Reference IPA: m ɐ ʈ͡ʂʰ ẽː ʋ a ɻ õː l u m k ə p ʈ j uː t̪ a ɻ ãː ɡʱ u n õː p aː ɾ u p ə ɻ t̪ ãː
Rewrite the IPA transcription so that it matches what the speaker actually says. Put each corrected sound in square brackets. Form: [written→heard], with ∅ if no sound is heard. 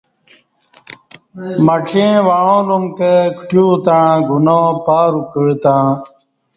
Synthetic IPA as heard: m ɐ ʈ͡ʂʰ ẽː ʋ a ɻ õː l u m k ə [p→k] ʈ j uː t̪ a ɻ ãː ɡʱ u n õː p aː ɾ u [p→k] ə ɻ t̪ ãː